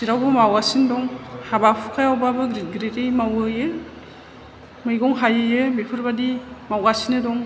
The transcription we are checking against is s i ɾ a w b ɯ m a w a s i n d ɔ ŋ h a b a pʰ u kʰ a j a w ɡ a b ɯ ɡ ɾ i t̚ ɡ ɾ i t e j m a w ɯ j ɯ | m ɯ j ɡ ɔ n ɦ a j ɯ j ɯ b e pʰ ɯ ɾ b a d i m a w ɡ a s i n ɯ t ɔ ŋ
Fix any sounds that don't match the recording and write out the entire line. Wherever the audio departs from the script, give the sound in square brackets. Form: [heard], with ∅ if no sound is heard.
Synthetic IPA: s i ɾ a w b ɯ m a w a s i n d ɔ ŋ h a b a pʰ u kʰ a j a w [b] a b ɯ ɡ ɾ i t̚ ɡ ɾ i t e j m a w ɯ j ɯ | m ɯ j ɡ ɔ [ŋ] ɦ a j ɯ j ɯ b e pʰ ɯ ɾ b a d i m a w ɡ a s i n ɯ [d] ɔ ŋ

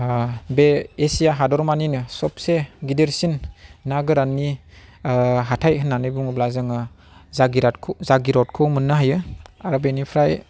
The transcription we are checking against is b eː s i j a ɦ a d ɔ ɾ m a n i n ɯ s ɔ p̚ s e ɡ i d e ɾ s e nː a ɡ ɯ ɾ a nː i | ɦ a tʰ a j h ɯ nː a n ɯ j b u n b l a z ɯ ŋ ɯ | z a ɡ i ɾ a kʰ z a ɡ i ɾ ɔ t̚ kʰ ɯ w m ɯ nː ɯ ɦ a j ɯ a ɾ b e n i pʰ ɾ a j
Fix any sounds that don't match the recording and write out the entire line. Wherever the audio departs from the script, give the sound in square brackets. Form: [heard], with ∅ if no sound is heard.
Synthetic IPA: b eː s i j a ɦ a d ɔ ɾ m a n i n ɯ s ɔ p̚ s e ɡ i d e ɾ s [i] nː a ɡ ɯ ɾ a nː i | ɦ a tʰ a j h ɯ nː a n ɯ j b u [ŋ] b l a z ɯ ŋ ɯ | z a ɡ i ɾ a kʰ z a ɡ i ɾ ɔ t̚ kʰ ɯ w m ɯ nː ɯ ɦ a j ɯ a ɾ b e n i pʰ ɾ a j

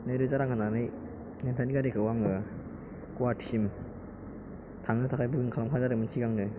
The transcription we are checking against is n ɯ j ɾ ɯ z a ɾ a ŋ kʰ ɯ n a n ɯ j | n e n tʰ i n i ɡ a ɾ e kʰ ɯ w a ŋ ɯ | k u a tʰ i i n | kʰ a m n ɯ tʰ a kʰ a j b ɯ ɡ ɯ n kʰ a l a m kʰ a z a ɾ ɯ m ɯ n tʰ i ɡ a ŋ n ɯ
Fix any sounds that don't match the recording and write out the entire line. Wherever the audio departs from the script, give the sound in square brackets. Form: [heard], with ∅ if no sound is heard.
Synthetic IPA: n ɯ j ɾ ɯ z a ɾ a ŋ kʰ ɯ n a n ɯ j | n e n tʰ [a] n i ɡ a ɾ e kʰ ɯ w a ŋ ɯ | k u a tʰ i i [m] | [tʰ] a [ŋ] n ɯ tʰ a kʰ a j b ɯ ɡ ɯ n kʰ a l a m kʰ a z a ɾ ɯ m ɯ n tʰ i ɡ a ŋ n ɯ

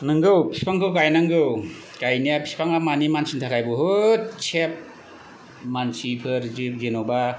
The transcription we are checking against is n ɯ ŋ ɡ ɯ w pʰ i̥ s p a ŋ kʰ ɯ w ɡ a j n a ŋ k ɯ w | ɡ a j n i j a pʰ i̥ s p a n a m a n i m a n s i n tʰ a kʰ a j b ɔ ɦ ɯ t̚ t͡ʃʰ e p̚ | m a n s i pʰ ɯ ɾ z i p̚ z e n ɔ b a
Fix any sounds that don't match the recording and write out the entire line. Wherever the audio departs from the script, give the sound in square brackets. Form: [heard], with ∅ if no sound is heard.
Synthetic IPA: n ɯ ŋ ɡ ɯ w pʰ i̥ s p a ŋ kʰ ɯ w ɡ a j n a ŋ [ɡ] ɯ w | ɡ a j n i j a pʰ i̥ s p a [ŋ] a m a n i m a n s i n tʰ a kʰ a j b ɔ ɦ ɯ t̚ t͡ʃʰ e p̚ | m a n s i pʰ ɯ ɾ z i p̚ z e n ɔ b a

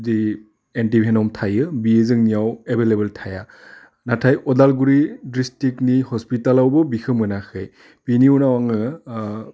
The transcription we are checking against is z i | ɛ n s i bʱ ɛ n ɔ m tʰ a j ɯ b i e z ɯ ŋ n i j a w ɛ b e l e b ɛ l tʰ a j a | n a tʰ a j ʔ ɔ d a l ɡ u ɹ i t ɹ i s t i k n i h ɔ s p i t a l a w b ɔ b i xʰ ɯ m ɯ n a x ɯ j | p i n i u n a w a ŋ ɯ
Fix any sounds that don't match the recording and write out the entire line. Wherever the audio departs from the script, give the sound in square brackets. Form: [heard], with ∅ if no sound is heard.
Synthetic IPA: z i | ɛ n [t] i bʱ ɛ n ɔ m tʰ a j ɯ b i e z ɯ ŋ n i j a w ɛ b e l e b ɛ l tʰ a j a | n a tʰ a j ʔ ɔ d a l ɡ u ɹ i [d] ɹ i s t i k n i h ɔ s p i t a l a w b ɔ b i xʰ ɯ m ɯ n a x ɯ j | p i n i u n a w a ŋ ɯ

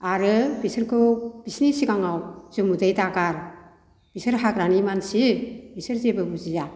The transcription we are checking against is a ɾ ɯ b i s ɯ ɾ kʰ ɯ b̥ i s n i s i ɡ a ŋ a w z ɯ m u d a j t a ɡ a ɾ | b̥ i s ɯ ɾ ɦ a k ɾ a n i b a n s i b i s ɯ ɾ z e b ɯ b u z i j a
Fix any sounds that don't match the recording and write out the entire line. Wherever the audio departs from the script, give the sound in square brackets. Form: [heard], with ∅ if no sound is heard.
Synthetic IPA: a ɾ ɯ b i s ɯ ɾ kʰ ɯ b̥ i s n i s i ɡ a ŋ a w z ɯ m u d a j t a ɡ a ɾ | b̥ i s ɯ ɾ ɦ a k ɾ a n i [m] a n s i b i s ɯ ɾ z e b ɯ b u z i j a

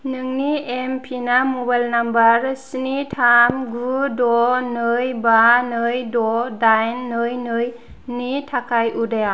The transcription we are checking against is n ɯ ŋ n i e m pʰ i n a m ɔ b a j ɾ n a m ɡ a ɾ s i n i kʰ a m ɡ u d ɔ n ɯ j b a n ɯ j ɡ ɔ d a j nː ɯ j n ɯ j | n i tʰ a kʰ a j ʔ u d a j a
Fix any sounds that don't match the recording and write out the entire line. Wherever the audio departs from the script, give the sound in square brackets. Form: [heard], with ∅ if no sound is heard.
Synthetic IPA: n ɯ ŋ n i e m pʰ i n a m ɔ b a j [l] n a m [b] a ɾ s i n i [tʰ] a m ɡ u d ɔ n ɯ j b a n ɯ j [d] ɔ d a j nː ɯ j n ɯ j | n i tʰ a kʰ a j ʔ u d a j a

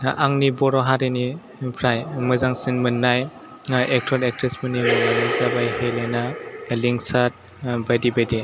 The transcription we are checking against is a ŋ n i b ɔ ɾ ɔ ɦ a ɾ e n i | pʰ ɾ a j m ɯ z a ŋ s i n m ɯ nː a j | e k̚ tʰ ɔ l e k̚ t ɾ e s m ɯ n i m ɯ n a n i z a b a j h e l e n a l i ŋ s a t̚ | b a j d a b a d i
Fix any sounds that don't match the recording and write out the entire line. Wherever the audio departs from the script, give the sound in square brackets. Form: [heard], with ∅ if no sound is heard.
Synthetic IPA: a ŋ n i b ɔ ɾ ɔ ɦ a ɾ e n i | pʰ ɾ a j m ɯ z a ŋ s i n m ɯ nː a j | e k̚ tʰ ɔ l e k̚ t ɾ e s m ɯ n i m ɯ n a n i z a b a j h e l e n a l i ŋ s a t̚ | b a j d [i] b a d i

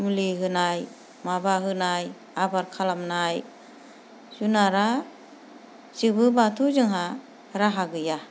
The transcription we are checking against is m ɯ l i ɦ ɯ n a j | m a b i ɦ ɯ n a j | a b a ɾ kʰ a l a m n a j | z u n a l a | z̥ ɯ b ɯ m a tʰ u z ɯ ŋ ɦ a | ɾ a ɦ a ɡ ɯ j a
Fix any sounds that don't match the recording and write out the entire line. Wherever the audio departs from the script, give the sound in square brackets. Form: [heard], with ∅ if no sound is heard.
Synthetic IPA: m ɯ l i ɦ ɯ n a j | m a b [a] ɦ ɯ n a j | a b a ɾ kʰ a l a m n a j | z u n a [ɾ] a | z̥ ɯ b ɯ [b] a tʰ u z ɯ ŋ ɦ a | ɾ a ɦ a ɡ ɯ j a

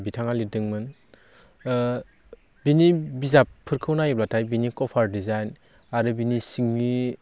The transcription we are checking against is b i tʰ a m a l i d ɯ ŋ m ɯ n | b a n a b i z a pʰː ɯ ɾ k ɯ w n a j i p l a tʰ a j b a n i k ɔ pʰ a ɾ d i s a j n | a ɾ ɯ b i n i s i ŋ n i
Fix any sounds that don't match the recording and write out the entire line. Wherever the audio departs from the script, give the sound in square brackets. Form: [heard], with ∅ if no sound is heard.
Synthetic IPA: b i tʰ a [ŋ] a l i d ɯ ŋ m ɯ n | b [i] n [i] b i z a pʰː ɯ ɾ [kʰ] ɯ w n a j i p l a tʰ a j b [i] n i k ɔ pʰ a ɾ d i [z] a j n | a ɾ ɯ b i n i s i ŋ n i

